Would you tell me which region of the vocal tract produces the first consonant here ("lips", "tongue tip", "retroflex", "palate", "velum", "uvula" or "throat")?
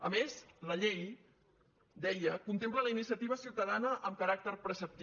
lips